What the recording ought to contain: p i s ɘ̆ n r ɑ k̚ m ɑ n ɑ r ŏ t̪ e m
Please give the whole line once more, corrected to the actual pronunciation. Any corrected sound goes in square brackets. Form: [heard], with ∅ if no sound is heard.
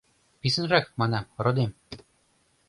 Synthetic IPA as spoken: p i s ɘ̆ n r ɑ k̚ m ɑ n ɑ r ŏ [d̪] e m